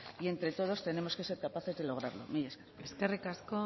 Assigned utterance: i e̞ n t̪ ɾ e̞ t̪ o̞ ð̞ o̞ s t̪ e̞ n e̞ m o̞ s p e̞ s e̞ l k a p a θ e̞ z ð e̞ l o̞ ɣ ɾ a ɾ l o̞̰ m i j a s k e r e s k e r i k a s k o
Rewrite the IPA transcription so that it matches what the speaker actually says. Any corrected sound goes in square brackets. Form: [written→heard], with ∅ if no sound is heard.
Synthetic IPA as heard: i e̞ n t̪ ɾ e̞ t̪ o̞ ð̞ o̞ s t̪ e̞ n e̞ m o̞ s [p→k] e̞ s e̞ [l→ɾ] k a p a θ e̞ z ð e̞ l o̞ ɣ ɾ a ɾ l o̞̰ m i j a s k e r e s k e r i k a s k o

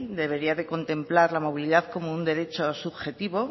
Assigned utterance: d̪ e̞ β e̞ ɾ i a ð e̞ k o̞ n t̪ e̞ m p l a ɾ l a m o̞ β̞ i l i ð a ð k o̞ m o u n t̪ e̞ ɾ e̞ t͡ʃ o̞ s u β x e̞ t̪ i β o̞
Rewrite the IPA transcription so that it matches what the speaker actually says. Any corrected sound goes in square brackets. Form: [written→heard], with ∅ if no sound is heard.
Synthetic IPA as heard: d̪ e̞ β e̞ ɾ i a ð e̞ k o̞ n t̪ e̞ m p l a ɾ l a m o̞ β̞ i l i ð a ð k o̞ m o u n [t̪→d̪] e̞ ɾ e̞ t͡ʃ o̞ s u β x e̞ t̪ i β o̞

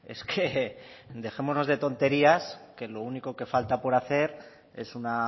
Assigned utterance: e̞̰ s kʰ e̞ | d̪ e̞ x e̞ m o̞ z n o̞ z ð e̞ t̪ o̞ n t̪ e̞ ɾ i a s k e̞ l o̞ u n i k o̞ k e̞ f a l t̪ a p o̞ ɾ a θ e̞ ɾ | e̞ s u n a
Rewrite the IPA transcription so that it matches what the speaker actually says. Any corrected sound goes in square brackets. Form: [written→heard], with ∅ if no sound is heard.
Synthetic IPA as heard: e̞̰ s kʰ e̞ | d̪ e̞ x e̞ m o̞ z n o̞ z ð e̞ t̪ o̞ n t̪ e̞ ɾ i a s k e̞ l o̞ u n i k o̞ k e̞ f a l t̪ a p o̞ ɾ a θ e̞ ɾ | e̞ s u n a

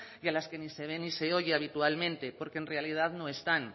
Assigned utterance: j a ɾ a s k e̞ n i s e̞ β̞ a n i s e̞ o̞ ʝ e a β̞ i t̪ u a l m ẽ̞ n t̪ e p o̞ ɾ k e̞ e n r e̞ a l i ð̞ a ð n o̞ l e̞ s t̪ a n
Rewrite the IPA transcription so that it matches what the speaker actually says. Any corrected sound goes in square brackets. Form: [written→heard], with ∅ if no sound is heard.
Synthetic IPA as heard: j a [ɾ→l] a s k e̞ n i s e̞ β̞ [a→e] n i s e̞ o̞ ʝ e a β̞ i t̪ u a l m ẽ̞ n t̪ e p o̞ ɾ k e̞ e n r e̞ a l i ð̞ a ð n o̞ [l→∅] e̞ s t̪ a n

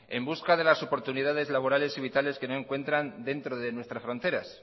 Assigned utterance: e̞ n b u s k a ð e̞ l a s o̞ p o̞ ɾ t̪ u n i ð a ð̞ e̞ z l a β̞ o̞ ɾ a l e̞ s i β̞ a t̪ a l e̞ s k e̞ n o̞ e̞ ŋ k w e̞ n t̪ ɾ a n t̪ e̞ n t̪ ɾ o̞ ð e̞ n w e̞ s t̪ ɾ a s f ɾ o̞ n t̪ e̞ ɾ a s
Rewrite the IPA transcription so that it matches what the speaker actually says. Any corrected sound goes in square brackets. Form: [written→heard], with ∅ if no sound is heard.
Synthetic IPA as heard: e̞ [n→m] b u s k a ð e̞ l a s o̞ p o̞ ɾ t̪ u n i ð a ð̞ e̞ z l a β̞ o̞ ɾ a l e̞ s i β̞ [a→i] t̪ a l e̞ s k e̞ n o̞ e̞ ŋ k w e̞ n t̪ ɾ a n [t̪→d̪] e̞ n t̪ ɾ o̞ ð e̞ n w e̞ s t̪ ɾ a s f ɾ o̞ n t̪ e̞ ɾ a s

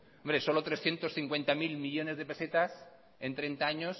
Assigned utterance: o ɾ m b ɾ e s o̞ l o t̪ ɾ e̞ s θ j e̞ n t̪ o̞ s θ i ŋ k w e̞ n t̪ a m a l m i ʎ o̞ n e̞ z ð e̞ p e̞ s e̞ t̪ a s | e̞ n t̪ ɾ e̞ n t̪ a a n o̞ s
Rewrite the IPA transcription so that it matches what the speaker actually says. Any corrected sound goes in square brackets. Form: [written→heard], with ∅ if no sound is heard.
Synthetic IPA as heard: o [ɾ→∅] m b ɾ e s o̞ l o t̪ ɾ e̞ s θ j e̞ n t̪ o̞ s θ i ŋ k w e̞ n t̪ a m [a→i] l m i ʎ o̞ n e̞ z ð e̞ p e̞ s e̞ t̪ a s | e̞ n t̪ ɾ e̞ n t̪ a a [n→ɲ] o̞ s

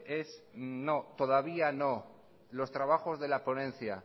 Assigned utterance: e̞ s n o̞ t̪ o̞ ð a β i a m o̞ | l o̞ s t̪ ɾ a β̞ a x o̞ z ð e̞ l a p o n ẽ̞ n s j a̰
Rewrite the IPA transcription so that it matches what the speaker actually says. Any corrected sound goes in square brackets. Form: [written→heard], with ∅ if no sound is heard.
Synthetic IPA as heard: e̞ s n o̞ t̪ o̞ ð a β i a [m→n] o̞ | l o̞ s t̪ ɾ a β̞ a x o̞ z ð e̞ l a p o n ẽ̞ n [s→θ] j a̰

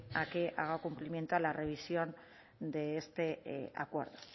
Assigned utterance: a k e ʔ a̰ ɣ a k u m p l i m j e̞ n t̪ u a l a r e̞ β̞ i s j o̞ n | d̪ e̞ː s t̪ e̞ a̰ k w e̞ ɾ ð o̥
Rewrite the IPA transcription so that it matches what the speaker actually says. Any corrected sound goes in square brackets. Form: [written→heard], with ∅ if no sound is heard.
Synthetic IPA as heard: a k e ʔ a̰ ɣ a k u m p l i m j e̞ n t̪ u a l a r e̞ β̞ i s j o̞ n | d̪ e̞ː s t̪ e̞ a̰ k w e̞ ɾ ð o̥

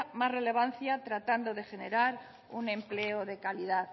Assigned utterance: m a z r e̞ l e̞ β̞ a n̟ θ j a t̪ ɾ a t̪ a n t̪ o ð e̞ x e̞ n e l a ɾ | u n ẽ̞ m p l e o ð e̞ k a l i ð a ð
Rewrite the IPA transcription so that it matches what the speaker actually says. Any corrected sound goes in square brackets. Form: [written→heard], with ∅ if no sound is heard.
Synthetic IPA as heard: m a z r e̞ l e̞ β̞ a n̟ θ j a t̪ ɾ a t̪ a n [t̪→d̪] o ð e̞ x e̞ n e [l→ɾ] a ɾ | u n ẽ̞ m p l e o ð e̞ k a l i ð a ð

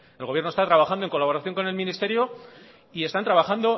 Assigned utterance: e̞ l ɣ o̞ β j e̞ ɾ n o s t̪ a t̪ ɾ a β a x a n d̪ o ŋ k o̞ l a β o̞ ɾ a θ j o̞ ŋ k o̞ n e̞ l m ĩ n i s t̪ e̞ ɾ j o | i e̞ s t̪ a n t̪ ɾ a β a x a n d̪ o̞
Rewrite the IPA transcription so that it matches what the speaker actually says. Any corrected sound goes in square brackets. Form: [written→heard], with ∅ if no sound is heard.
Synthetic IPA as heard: e̞ l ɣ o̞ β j e̞ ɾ n o s t̪ a t̪ ɾ a β a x a n d̪ o ŋ k o̞ l a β o̞ ɾ a θ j o̞ ŋ k o̞ n e̞ l m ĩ n i s t̪ e̞ ɾ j o | i e̞ s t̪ a n t̪ ɾ a β a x a n d̪ o̞

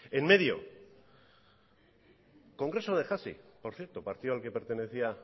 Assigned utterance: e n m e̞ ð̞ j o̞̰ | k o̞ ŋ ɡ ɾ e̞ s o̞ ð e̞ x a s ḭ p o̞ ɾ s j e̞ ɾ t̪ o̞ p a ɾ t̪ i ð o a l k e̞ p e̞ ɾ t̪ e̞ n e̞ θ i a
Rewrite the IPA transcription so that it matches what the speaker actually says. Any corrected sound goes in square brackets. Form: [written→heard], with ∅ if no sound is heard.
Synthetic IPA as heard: e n m e̞ ð̞ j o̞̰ | k o̞ ŋ ɡ ɾ e̞ s o̞ ð e̞ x a s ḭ p o̞ ɾ [s→θ] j e̞ ɾ t̪ o̞ p a ɾ t̪ i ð o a l k e̞ p e̞ ɾ t̪ e̞ n e̞ θ i a

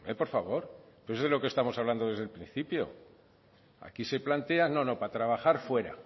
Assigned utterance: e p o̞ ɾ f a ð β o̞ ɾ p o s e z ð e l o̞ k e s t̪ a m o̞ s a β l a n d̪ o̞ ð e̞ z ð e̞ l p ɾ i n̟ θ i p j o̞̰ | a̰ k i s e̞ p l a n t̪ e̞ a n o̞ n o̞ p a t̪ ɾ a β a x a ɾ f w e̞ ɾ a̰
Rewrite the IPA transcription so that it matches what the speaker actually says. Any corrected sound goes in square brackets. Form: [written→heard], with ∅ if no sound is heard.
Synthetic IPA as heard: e p o̞ ɾ f a [ð→∅] β o̞ ɾ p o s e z ð e l o̞ k e s t̪ a m o̞ s a β l a n d̪ o̞ ð e̞ z ð e̞ l p ɾ i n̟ θ i p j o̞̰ | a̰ k i s e̞ p l a n t̪ e̞ a n o̞ n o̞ p a t̪ ɾ a β a x a ɾ f w e̞ ɾ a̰

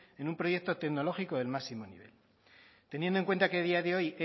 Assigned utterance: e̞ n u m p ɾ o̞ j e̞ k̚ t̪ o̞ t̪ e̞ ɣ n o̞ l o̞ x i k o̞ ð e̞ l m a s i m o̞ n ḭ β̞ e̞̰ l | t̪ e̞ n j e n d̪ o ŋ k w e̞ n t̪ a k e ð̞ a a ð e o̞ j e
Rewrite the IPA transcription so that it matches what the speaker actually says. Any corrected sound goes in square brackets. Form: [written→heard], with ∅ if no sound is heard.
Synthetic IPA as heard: e̞ n u m p ɾ o̞ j e̞ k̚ t̪ o̞ t̪ e̞ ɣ n o̞ l o̞ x i k o̞ ð e̞ l m a s i m o̞ n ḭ β̞ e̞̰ l | t̪ e̞ n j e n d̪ o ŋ k w e̞ n t̪ a k e ð̞ [a→i] a ð e o̞ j e

